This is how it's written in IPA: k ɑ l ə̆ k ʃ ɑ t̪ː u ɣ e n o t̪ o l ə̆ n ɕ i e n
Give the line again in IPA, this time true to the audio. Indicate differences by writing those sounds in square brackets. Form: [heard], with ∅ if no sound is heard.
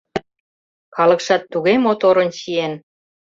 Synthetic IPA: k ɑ l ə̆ k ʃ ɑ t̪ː u ɣ e [m] o t̪ o [ɾ] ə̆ n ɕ i e n